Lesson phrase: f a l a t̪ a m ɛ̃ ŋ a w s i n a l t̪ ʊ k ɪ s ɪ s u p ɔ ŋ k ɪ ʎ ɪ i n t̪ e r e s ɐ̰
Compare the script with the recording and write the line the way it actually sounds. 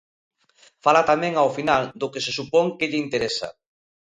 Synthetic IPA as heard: f a l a t̪ a m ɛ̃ ŋ a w f i n a l d̪ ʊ k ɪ s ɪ s u p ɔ ŋ k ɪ ʎ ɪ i n t̪ e ɾ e s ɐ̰